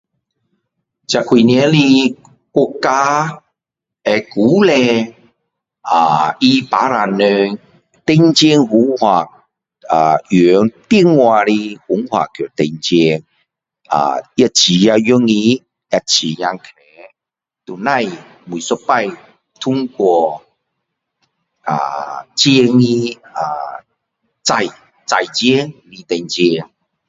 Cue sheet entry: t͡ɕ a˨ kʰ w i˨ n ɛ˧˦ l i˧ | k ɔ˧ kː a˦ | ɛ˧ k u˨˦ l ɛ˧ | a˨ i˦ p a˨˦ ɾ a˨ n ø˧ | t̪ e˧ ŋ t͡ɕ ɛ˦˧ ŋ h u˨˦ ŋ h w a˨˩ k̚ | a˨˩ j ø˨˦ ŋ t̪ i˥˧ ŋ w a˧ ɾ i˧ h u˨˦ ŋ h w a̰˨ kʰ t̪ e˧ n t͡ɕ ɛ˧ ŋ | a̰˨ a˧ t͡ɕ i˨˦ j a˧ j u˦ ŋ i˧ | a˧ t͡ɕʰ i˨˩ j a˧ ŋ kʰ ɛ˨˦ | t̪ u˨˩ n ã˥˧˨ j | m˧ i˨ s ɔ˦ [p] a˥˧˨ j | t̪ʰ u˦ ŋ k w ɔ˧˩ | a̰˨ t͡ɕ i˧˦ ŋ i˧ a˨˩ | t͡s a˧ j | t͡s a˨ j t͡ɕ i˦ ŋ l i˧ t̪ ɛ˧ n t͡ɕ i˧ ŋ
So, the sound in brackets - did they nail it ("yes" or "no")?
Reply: yes